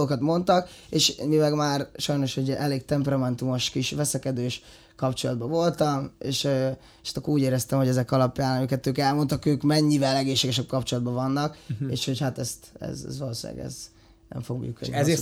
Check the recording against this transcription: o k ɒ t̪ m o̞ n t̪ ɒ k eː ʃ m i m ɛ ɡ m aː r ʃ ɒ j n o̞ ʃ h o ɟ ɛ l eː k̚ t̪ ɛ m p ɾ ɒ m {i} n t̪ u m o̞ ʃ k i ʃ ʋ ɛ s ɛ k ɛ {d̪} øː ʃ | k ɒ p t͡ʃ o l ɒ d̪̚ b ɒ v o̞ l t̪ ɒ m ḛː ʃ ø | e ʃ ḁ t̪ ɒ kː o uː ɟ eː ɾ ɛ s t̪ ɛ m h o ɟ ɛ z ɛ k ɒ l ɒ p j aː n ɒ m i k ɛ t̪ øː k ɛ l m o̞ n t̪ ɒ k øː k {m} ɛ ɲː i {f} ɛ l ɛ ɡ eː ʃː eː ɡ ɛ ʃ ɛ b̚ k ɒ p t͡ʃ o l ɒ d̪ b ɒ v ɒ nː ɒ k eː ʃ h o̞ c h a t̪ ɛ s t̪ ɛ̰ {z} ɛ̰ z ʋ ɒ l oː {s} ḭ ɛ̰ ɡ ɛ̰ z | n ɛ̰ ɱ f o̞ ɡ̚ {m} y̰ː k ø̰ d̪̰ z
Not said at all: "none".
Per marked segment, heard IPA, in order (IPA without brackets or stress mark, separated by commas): ɛ, d̪, m, v, z, s, m